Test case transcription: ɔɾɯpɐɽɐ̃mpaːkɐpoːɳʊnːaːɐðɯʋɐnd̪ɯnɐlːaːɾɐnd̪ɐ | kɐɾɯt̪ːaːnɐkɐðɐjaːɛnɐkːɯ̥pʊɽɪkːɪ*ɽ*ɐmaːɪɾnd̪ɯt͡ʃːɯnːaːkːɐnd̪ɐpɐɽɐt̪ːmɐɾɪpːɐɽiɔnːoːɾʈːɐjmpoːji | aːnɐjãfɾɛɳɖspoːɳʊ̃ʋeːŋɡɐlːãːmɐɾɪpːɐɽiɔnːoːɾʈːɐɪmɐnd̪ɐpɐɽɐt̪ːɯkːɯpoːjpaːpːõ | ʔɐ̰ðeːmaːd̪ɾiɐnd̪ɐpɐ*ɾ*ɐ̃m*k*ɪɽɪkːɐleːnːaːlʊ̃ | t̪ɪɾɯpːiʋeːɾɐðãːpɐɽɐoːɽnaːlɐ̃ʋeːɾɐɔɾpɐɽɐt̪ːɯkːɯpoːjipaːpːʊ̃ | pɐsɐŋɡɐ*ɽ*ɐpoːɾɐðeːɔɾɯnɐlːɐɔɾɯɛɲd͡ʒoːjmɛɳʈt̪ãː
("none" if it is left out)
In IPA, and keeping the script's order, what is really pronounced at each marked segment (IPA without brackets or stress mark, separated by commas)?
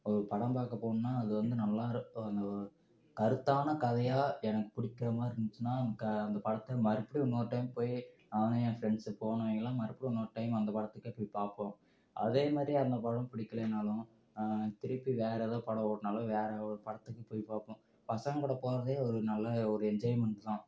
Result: ɾ, ɽ, p, ɽ